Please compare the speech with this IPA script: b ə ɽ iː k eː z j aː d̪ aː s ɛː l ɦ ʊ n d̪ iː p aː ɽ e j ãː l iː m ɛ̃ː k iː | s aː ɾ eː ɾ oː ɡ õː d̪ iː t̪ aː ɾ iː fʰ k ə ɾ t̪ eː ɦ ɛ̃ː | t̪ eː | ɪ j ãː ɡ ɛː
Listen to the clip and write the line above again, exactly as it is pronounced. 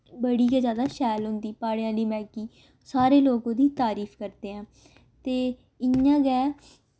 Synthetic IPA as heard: b ə ɽ iː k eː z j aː d̪ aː ʃ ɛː l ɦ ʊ n d̪ iː p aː ɽ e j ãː l iː m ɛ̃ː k iː | s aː ɾ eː l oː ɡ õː d̪ iː t̪ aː ɾ iː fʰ k ə ɾ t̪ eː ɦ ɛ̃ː | t̪ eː | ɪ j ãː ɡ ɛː

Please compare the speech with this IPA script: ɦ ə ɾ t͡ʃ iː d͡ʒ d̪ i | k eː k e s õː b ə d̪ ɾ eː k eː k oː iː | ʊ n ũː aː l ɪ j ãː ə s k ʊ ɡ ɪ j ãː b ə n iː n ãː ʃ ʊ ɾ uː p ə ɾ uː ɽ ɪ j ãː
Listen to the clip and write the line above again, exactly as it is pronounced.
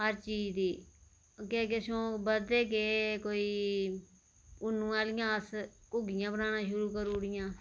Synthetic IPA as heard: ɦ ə ɾ t͡ʃ iː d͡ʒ d̪ iː | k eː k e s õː b ə d̪ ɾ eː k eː k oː iː | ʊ n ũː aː l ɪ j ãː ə s k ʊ ɡ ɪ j ãː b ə n aː n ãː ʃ ʊ ɾ uː k ə ɾ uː ɽ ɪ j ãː

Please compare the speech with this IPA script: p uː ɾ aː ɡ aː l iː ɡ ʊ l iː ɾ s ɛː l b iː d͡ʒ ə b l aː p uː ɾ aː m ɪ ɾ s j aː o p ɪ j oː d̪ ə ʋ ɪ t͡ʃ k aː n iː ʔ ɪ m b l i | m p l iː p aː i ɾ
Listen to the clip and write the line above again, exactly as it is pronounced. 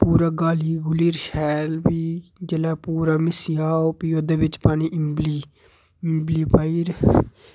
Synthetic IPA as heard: p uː ɾ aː ɡ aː l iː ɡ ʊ l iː ɾ ʃ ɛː l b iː d͡ʒ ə l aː p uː ɾ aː m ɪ s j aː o p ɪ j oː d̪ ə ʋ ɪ t͡ʃ p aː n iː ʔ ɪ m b l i | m b l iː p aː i ɾ

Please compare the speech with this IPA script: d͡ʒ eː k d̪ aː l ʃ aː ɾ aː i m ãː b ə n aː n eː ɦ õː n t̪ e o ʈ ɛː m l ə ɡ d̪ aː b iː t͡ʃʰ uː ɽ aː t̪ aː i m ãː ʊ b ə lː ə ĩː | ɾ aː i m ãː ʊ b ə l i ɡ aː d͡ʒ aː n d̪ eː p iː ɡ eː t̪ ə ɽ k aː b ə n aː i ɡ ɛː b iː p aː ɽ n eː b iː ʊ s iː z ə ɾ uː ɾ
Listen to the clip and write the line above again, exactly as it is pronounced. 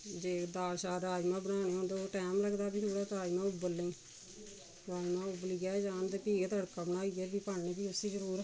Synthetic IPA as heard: d͡ʒ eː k d̪ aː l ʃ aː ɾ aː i m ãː b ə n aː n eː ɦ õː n d̪ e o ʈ ɛː m l ə ɡ d̪ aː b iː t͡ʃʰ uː ɽ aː t̪ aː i m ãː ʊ b ə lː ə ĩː | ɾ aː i m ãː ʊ b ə l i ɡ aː d͡ʒ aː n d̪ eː p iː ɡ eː t̪ ə ɽ k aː b ə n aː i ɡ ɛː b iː p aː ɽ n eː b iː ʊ s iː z ə ɾ uː ɾ

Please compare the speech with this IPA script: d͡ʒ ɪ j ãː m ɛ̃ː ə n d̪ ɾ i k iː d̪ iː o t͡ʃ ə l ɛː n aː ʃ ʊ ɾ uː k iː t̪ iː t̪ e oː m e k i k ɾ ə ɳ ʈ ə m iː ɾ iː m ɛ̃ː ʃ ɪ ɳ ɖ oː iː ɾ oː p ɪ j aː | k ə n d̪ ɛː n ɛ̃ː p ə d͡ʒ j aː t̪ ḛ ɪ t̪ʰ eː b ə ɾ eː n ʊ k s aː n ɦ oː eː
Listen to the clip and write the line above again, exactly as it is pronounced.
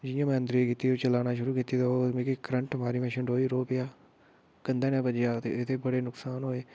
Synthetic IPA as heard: d͡ʒ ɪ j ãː m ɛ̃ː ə n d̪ ɾ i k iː t̪ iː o t͡ʃ ə l aː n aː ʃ ʊ ɾ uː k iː t̪ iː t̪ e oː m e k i k ɾ ə ɳ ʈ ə m aː ɾ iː m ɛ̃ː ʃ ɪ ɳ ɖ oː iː ɾ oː p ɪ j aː | k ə n d̪ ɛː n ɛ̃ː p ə d͡ʒ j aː t̪ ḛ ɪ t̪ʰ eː b ə ɽ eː n ʊ k s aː n ɦ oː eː

